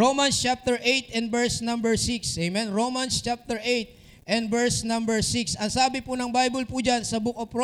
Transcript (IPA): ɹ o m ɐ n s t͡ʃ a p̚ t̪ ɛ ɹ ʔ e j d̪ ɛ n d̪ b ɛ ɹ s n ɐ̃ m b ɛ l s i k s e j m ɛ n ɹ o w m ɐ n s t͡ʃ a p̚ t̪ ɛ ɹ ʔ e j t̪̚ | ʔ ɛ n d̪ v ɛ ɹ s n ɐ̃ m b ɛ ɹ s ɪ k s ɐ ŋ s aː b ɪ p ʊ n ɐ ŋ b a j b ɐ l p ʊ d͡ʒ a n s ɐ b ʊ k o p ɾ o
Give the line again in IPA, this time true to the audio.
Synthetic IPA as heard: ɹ o m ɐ n s t͡ʃ a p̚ t̪ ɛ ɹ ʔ e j t̪ ɛ n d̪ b ɛ ɹ s n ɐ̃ m b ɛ ɹ s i k s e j m ɛ n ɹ o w m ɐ n s t͡ʃ a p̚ t̪ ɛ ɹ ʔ e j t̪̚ | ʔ ɛ n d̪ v ɛ ɹ s n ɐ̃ m b ɛ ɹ s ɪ k s ɐ ŋ s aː b ɪ p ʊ n ɐ ŋ b a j b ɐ l p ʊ d͡ʒ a n s ɐ b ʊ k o p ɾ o